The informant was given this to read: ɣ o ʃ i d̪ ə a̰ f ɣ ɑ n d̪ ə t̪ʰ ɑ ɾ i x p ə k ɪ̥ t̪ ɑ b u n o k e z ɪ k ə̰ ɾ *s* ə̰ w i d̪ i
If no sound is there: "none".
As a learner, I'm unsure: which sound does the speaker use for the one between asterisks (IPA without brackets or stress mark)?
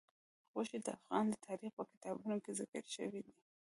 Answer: ʃ